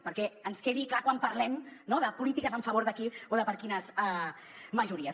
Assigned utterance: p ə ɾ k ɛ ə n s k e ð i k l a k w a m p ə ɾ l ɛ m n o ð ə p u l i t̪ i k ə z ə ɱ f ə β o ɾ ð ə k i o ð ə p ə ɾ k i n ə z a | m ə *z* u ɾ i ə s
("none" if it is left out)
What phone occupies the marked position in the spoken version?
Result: ʒ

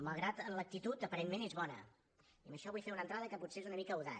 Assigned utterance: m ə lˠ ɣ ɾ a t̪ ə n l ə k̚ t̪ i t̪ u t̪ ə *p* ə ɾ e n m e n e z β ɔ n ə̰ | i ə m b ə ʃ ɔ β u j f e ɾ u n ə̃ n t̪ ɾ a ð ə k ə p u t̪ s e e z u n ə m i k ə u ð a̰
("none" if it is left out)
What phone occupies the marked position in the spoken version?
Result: p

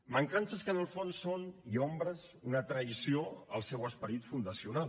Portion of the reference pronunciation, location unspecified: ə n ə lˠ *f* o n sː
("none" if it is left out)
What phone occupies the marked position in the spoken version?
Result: f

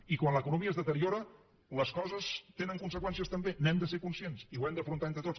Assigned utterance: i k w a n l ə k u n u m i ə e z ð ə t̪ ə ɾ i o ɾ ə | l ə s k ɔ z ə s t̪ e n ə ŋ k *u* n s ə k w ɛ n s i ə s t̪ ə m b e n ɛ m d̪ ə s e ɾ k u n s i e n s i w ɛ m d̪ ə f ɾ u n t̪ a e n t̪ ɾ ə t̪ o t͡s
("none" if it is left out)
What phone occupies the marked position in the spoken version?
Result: u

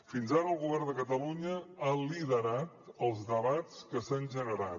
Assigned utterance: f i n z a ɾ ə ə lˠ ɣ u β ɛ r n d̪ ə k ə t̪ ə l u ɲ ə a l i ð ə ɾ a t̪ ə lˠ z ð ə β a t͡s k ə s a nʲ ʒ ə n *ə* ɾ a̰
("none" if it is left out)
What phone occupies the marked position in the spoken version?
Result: ə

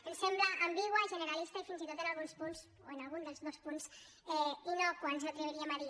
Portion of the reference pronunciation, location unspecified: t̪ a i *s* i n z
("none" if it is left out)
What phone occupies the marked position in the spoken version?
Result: f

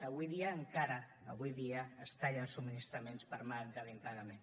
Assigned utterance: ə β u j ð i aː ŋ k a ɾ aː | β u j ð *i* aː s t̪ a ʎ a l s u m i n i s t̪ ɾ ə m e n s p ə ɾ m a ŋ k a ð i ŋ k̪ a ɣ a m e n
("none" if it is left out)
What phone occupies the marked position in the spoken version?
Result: i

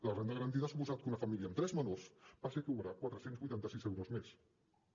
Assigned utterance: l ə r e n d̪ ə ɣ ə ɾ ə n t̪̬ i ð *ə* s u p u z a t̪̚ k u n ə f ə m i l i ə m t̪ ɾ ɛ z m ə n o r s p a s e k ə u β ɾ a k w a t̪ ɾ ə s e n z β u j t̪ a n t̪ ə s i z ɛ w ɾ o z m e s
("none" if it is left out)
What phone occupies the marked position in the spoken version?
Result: a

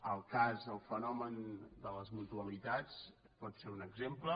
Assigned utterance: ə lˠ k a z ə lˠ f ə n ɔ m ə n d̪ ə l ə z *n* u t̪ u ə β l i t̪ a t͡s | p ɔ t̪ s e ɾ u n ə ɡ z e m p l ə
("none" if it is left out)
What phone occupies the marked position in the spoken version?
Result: m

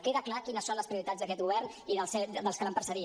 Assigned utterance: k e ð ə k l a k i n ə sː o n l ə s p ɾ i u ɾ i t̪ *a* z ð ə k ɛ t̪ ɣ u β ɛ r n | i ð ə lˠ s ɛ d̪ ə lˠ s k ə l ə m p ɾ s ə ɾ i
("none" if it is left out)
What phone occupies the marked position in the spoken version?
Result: a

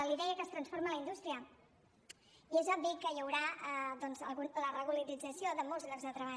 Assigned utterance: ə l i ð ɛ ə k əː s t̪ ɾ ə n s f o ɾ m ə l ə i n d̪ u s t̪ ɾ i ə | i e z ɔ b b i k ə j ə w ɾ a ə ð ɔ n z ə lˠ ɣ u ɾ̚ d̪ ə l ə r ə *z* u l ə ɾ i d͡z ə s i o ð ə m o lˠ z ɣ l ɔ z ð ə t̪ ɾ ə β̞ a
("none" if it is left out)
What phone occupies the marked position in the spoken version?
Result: ɣ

